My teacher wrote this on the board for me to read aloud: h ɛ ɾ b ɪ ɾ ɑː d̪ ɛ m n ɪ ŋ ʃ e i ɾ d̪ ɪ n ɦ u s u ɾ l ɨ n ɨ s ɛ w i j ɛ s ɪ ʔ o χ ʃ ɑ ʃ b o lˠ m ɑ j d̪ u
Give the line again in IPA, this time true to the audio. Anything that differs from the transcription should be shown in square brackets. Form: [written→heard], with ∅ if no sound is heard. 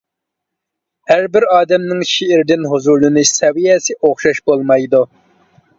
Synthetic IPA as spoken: h [ɛ→æ] ɾ b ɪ ɾ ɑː d̪ ɛ m n ɪ ŋ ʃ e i ɾ d̪ ɪ n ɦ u [s→z] u ɾ l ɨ n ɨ s ɛ w i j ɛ s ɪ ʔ o χ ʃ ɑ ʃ b o lˠ m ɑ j d̪ u